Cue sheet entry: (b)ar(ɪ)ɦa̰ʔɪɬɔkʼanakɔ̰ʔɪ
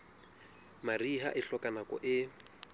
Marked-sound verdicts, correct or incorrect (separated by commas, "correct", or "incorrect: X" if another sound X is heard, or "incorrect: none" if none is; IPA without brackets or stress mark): incorrect: m, incorrect: i